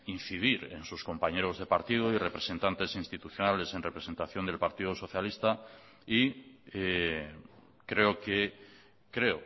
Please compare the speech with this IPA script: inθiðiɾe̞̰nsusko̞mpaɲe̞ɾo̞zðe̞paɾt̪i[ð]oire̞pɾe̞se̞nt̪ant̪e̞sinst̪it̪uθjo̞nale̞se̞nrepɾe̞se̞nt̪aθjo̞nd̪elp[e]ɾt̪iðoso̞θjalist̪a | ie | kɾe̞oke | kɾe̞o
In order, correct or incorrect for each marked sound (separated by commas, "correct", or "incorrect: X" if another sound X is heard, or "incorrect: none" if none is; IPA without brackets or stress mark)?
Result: correct, incorrect: a